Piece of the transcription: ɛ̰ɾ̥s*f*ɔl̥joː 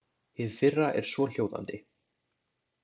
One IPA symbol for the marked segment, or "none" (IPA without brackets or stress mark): v